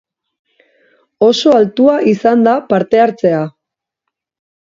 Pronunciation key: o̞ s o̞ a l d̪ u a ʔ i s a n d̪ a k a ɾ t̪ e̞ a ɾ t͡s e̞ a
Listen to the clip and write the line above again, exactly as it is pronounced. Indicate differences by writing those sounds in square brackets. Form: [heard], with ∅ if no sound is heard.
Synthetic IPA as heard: o̞ s o̞ a l [t̪] u a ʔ i s a n d̪ a [p] a ɾ t̪ e̞ a ɾ t͡s e̞ a